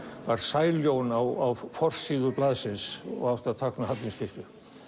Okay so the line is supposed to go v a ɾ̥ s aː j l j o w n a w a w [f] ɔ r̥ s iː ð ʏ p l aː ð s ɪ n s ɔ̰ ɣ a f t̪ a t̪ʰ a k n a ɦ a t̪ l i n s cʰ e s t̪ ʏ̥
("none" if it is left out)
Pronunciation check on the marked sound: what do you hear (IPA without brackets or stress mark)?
f